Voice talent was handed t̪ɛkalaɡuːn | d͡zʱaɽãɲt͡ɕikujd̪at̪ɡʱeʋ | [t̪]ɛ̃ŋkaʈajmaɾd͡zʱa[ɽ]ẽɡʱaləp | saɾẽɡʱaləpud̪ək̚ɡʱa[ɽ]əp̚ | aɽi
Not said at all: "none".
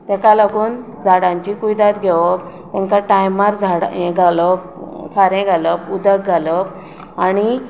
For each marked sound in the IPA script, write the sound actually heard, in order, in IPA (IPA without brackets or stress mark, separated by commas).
t̪, ɽ, l